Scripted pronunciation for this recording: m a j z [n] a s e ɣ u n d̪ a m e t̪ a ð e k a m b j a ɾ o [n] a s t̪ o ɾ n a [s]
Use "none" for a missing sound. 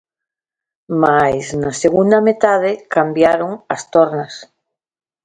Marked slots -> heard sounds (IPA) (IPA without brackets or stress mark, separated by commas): n, ŋ, s